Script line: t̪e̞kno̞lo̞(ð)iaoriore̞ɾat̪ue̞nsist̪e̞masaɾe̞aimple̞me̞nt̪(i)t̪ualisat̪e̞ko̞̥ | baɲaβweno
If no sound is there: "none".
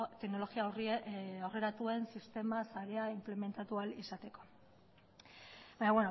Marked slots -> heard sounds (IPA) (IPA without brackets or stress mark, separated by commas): ɣ, a